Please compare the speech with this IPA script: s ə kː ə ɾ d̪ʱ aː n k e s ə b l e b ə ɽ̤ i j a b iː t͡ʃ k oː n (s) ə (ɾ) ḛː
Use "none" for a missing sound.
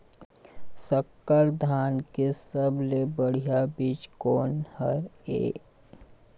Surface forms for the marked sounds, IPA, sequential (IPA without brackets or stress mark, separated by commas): h, ɾ